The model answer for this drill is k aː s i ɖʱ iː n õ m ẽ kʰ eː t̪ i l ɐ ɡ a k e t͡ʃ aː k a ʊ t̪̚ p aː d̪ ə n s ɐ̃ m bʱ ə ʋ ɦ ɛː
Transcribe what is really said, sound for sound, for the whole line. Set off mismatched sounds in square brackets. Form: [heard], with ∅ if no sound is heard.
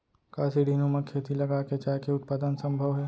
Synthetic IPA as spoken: k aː s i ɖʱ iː n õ m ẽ kʰ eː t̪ i l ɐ ɡ a k e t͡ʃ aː k [e] ʊ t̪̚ p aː d̪ ə n s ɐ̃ m bʱ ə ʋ ɦ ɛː